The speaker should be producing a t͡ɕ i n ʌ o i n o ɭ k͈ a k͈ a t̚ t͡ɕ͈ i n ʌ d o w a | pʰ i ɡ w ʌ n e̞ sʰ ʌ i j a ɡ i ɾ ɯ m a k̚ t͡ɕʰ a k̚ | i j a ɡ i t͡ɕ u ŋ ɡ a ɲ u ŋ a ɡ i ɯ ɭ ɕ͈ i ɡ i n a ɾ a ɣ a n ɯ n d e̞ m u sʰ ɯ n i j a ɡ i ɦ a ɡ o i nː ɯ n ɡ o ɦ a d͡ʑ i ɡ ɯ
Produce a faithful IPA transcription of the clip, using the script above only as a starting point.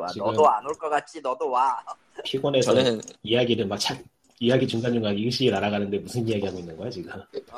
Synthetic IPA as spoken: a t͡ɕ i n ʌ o a n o ɭ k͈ ʌ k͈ a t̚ t͡ɕ͈ i n ʌ d o w a | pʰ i ɡ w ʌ n e̞ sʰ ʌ i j a ɡ i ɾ ɯ m a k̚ t͡ɕʰ a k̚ | i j a ɡ i t͡ɕ u ŋ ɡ a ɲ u ŋ a ɡ i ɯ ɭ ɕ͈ i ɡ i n a ɾ a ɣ a n ɯ n d e̞ m u sʰ ɯ n i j a ɡ i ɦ a ɡ o i nː ɯ n ɡ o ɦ a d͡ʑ i ɡ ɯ